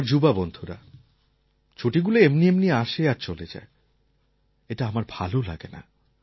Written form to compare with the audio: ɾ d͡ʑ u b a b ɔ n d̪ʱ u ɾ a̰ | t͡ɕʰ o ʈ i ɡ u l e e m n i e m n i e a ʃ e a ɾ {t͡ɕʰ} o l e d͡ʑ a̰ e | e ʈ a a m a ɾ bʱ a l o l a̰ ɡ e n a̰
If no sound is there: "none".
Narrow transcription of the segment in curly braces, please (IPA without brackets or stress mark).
t͡ɕ